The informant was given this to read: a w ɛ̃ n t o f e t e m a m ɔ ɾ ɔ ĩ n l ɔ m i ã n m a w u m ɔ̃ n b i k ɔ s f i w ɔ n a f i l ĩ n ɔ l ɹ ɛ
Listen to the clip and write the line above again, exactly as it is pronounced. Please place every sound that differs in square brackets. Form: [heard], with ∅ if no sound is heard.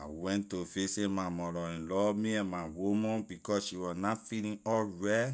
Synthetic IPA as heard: a w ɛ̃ n t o f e [s] e m a m ɔ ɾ ɔ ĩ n l ɔ m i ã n m a w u m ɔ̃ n b i k ɔ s [ʃ] i w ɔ n a f i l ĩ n ɔ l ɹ ɛ